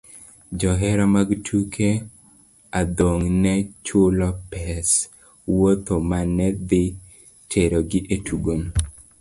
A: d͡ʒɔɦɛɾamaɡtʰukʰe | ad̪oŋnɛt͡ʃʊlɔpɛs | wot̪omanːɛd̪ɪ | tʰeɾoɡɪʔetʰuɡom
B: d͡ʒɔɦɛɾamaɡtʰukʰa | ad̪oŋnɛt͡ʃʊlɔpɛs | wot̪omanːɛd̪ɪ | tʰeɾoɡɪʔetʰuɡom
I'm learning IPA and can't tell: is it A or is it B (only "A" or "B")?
A